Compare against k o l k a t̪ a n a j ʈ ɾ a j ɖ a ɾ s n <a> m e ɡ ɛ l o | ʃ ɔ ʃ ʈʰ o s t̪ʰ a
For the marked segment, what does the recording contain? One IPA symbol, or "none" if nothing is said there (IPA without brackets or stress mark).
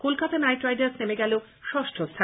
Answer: e